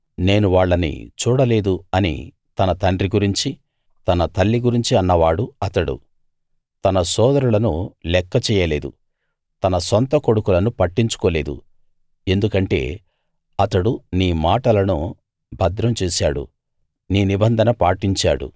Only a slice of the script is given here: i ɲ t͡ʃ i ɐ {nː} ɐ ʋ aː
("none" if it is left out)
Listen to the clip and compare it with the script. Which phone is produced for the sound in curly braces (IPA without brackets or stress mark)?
nː